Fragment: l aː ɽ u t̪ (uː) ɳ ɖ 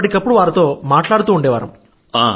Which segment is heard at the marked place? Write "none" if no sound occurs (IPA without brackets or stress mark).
uː